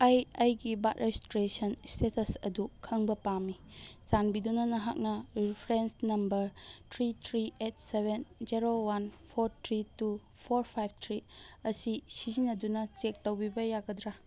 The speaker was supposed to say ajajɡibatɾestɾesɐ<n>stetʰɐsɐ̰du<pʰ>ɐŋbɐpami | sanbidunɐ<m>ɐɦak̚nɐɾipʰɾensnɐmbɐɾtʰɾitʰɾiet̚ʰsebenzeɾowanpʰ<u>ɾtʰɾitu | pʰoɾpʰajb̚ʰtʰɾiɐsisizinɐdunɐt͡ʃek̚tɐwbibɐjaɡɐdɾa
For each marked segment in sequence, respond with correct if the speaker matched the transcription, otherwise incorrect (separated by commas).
correct, incorrect, incorrect, incorrect